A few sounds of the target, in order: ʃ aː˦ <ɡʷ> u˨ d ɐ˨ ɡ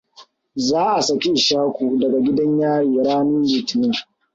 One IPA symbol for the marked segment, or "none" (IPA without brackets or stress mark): kʷ